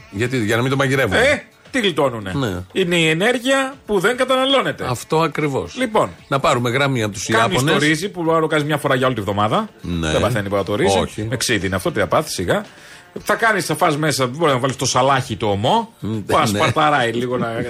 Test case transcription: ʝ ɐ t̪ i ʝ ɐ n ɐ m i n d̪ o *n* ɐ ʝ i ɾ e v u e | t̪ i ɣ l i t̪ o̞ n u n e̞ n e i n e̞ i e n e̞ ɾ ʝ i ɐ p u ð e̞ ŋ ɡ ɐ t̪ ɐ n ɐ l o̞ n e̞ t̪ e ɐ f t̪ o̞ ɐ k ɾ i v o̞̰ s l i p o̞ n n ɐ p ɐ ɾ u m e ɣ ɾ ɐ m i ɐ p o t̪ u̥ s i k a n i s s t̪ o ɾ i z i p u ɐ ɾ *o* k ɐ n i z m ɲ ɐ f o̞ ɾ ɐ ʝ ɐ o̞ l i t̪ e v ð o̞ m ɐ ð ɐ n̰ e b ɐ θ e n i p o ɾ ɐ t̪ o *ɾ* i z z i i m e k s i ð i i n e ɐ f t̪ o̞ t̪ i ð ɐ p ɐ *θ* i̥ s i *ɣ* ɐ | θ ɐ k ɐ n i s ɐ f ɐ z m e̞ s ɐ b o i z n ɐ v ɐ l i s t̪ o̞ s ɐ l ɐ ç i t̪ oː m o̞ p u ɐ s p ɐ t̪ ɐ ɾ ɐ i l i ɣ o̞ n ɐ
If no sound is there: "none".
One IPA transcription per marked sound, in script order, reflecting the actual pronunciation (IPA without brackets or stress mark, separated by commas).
m, o, ɾ, θ, ɣ